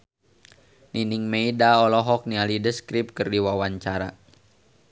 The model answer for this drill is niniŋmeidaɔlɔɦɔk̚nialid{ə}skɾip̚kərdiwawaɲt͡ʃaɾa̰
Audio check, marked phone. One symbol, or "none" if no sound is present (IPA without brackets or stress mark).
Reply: ə